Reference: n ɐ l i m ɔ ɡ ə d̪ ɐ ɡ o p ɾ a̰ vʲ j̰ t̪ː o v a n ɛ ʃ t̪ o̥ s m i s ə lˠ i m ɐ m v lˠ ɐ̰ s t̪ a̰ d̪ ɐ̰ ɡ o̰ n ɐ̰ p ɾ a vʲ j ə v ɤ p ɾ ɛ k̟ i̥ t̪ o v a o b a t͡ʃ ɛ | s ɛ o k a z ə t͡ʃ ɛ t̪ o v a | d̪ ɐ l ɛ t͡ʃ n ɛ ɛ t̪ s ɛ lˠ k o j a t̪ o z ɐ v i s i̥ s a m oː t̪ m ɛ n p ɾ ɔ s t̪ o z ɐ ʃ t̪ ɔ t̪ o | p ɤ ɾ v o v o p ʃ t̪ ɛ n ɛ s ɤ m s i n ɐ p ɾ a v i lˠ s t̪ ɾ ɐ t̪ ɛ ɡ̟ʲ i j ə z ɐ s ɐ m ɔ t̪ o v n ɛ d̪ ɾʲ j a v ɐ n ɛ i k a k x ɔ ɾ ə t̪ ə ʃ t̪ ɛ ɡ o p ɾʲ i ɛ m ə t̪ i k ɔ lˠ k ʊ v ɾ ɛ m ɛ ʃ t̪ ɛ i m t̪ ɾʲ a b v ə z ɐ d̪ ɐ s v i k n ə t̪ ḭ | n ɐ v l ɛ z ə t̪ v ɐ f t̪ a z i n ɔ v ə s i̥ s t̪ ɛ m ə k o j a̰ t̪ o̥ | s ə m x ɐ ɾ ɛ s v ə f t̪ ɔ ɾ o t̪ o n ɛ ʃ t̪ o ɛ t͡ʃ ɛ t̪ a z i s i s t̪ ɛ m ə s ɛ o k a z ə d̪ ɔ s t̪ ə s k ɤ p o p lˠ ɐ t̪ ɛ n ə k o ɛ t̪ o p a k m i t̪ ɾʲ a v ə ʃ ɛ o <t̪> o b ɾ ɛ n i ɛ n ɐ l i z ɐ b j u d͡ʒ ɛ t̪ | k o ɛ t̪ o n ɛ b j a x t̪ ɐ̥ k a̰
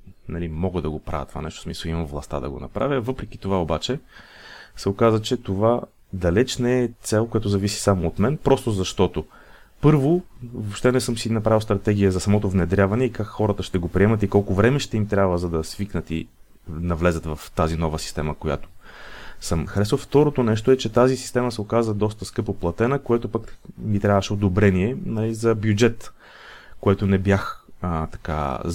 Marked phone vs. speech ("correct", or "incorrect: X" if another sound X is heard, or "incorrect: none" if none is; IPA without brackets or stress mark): incorrect: d̪